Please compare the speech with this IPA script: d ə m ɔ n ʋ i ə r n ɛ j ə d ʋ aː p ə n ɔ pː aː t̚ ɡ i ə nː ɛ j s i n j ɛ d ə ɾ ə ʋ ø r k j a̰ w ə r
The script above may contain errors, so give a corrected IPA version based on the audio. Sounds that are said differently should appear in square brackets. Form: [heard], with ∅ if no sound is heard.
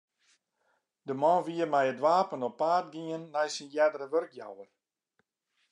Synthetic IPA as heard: d ə m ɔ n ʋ i ə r [m] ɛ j ə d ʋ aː p ə n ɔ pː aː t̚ ɡ i ə nː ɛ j s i n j ɛ d ə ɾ ə ʋ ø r k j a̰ w ə r

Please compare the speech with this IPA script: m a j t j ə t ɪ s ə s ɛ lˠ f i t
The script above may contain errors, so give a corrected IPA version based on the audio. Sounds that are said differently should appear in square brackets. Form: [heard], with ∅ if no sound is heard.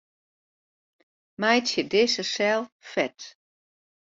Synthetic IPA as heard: m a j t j ə [d] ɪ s ə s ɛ lˠ f [ɛ] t

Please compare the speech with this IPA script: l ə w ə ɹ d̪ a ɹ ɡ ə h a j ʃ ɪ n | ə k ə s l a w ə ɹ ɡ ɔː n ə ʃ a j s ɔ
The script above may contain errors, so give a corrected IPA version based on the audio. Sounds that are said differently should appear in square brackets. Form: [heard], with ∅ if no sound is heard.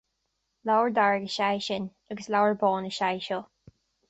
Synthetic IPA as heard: l [a] w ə ɹ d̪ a ɹ ɡ ə [ʃ] a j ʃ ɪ n | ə [ɡ] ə s l a w ə ɹ [b] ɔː n ə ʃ a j [ʃ] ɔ

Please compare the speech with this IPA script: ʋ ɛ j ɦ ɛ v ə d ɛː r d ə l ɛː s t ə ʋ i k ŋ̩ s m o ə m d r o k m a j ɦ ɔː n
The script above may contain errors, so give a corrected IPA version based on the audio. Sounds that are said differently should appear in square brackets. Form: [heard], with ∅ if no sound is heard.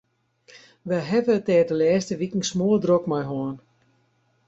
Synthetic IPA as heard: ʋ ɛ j ɦ ɛ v ə [t] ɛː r d ə l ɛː s t ə ʋ i k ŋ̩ s m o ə [∅] d r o k m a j ɦ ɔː n

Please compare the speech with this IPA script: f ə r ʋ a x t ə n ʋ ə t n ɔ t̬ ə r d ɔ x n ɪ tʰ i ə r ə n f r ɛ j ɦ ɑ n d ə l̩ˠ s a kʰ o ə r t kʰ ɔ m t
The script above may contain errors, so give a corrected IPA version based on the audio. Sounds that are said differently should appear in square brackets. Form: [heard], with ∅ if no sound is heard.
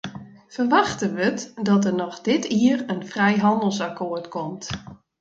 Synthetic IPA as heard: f ə r ʋ a x t ə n ʋ ə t [d] ɔ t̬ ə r [n] ɔ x [d] ɪ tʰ i ə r ə n f r ɛ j ɦ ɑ n d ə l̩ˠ s a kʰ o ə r t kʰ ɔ m t

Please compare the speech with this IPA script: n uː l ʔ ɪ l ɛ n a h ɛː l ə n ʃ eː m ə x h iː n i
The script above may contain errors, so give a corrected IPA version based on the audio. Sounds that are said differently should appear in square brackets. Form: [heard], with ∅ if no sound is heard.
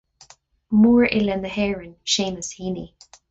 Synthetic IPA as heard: [m] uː [ɹ] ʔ ɪ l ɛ n [ə] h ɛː [ɹ] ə n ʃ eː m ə [s] h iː n i

